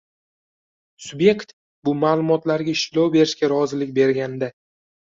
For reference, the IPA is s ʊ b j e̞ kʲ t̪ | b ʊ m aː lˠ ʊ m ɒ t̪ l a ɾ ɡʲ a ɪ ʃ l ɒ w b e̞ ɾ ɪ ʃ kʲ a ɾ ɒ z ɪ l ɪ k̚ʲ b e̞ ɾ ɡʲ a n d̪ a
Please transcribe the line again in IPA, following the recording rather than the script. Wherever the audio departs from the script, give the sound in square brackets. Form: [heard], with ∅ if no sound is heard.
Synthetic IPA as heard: s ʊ b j e̞ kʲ t̪ | b ʊ m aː lˠ ʊ m ɒ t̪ l a ɾ ɡʲ a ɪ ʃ l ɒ w b e̞ ɾ ɪ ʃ kʲ a ɾ ɒ z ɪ l ɪ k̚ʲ b e̞ ɾ ɡʲ a n d̪ a